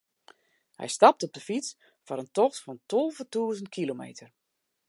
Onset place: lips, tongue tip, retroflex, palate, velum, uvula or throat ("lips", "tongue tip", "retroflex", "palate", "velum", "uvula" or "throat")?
throat